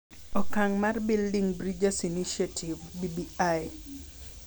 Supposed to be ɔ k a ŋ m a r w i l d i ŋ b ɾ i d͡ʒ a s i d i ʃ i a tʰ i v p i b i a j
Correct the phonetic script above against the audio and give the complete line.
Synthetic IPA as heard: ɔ k a ŋ m a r b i l d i ŋ b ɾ i d͡ʒ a s i n i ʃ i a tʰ i v b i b i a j